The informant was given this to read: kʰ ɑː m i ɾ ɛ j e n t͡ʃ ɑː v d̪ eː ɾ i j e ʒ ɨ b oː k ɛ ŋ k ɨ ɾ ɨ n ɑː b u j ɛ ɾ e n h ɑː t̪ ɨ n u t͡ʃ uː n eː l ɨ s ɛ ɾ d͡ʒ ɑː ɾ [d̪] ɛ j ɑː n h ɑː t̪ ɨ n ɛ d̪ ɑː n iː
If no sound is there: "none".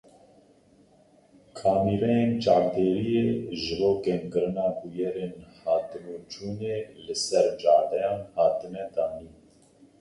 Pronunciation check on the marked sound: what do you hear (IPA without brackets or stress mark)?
d̪